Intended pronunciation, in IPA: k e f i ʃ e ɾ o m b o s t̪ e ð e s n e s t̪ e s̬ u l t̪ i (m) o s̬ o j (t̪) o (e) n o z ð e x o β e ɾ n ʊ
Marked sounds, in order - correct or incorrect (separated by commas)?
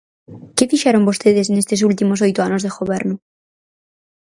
correct, correct, incorrect